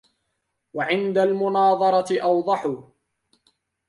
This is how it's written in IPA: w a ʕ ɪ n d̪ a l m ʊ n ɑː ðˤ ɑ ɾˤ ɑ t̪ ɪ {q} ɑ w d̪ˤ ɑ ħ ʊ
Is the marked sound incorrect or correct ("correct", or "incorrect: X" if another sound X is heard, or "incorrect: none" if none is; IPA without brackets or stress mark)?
incorrect: ʔ